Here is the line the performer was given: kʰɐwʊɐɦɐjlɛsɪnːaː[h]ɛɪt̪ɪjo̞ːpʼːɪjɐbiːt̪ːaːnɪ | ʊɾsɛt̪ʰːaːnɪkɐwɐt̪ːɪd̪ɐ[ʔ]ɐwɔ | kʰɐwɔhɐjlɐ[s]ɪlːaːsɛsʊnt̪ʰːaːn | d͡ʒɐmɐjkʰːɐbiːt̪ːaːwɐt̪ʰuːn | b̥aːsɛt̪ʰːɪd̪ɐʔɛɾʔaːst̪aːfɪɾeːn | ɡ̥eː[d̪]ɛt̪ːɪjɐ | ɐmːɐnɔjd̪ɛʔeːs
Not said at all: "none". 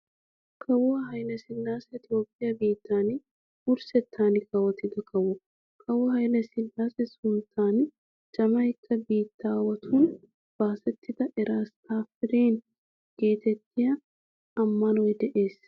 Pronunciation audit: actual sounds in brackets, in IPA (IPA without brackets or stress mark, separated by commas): s, k, s, t̪